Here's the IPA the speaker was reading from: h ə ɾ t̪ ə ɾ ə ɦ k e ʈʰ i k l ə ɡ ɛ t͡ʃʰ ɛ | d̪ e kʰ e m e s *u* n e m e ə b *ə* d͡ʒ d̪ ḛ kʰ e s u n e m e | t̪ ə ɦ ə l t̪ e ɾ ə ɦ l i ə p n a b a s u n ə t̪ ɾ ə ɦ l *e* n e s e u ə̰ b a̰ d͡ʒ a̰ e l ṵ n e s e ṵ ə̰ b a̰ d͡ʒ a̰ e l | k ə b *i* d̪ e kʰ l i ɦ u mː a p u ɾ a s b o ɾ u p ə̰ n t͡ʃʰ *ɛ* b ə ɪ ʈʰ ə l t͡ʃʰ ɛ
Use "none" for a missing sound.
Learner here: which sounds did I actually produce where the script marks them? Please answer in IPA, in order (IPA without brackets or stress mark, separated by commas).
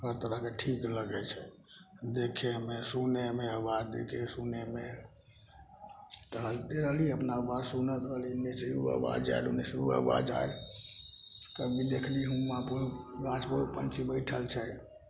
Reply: u, a, i, i, i